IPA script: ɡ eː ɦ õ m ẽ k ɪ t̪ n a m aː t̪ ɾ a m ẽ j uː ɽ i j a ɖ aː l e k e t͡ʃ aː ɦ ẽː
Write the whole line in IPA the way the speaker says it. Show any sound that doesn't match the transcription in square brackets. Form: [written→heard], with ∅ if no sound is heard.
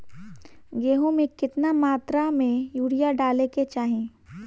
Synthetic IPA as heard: ɡ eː ɦ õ m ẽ k ɪ t̪ n a m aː t̪ ɾ a m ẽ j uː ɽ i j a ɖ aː l e k e t͡ʃ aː ɦ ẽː